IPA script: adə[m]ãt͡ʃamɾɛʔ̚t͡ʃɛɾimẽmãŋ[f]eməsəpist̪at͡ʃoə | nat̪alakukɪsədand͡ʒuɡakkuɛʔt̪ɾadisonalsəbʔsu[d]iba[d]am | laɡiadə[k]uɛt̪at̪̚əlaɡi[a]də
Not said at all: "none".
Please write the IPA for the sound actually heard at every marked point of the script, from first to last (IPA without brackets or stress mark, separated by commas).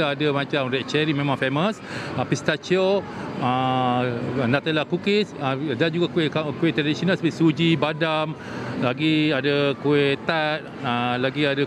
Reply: m, f, d͡ʒ, d, k, a